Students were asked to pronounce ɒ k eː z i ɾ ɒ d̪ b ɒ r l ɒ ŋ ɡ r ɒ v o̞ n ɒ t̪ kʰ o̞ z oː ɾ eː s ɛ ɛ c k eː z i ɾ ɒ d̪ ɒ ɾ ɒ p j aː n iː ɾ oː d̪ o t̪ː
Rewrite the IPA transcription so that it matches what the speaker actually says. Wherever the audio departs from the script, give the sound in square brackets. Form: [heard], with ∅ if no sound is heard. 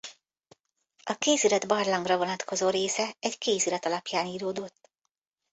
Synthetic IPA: ɒ k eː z i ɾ ɒ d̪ b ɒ r l ɒ ŋ ɡ r ɒ v o̞ n ɒ t̪ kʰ o̞ z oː ɾ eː s ɛ ɛ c k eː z i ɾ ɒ [t̪] ɒ [l] ɒ p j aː n iː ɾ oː d̪ o t̪ː